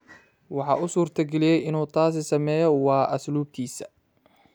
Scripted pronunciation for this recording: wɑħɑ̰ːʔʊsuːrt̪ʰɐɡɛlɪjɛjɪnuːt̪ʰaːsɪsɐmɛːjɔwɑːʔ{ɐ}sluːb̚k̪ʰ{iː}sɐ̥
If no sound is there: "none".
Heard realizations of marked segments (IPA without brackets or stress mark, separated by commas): ɐ, iː